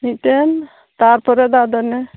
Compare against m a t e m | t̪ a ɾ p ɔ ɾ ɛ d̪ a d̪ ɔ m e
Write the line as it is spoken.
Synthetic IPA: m i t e n | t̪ a ɾ p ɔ ɾ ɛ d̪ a d̪ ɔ n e